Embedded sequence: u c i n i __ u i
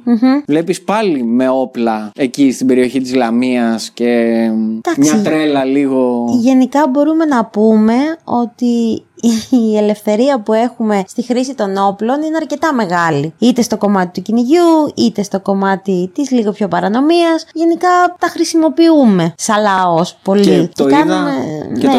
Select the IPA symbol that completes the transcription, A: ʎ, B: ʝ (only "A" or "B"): B